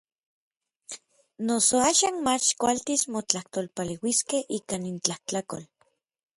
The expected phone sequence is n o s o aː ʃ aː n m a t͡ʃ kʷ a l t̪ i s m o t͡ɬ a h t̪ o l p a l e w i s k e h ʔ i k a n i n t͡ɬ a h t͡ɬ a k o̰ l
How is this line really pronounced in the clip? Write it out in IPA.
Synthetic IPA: n o s o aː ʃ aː n m a t͡ʃ kʷ a l t̪ i s m o t͡ɬ a h t̪ o l p a l e w i s k e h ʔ i k a n i n t͡ɬ a h t͡ɬ a k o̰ l